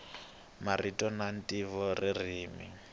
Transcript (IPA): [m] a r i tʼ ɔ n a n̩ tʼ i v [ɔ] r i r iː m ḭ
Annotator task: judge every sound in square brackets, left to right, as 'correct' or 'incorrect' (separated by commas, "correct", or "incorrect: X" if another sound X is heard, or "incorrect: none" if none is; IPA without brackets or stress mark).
correct, correct